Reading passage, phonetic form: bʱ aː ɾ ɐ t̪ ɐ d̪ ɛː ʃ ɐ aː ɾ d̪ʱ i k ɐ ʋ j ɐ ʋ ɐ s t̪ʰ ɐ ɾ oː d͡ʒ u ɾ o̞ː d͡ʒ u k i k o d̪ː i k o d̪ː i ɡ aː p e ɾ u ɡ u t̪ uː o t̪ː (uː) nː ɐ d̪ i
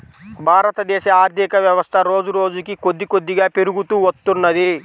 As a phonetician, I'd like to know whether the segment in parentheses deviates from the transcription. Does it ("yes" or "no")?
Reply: yes